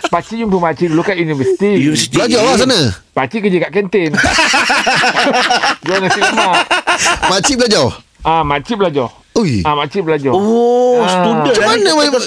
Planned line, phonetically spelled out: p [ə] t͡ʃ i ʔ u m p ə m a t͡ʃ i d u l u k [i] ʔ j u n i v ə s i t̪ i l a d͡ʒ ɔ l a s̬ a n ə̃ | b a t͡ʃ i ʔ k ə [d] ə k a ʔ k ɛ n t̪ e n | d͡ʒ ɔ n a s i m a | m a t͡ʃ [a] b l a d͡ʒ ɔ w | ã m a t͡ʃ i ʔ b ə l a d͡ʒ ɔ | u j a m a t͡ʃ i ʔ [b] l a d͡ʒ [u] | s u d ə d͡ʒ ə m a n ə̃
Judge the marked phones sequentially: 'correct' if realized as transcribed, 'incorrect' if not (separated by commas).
incorrect, incorrect, incorrect, incorrect, correct, incorrect